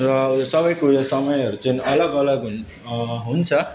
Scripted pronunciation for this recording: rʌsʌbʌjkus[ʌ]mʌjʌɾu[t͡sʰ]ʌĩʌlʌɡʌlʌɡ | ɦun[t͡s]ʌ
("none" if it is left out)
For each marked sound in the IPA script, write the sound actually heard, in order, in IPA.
ʌ, t͡s, t͡sʰ

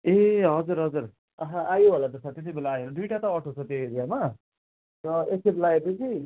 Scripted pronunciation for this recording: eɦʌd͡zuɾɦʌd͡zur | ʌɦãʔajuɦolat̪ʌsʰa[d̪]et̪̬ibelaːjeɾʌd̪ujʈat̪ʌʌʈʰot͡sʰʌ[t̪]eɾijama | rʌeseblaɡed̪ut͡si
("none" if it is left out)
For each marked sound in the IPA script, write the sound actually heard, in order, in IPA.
t̪, t̪

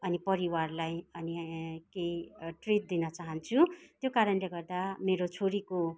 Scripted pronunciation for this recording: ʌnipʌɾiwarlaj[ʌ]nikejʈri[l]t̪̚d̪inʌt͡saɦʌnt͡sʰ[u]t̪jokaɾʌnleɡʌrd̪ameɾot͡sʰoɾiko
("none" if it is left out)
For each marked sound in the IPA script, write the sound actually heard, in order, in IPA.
ʌ, none, u

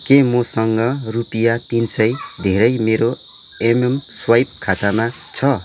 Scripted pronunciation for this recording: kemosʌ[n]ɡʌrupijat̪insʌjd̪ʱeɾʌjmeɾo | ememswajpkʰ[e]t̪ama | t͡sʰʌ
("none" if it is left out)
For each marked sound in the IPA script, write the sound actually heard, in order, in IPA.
ŋ, a

